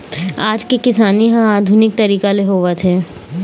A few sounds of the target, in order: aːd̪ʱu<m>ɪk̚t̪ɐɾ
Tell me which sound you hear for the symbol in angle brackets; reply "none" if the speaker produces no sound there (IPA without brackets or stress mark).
n